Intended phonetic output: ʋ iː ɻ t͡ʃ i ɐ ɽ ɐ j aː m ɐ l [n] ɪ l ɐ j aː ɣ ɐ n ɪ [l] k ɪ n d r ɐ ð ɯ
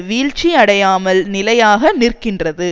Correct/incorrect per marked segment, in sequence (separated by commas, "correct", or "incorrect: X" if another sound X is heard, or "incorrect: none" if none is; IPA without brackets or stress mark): correct, incorrect: r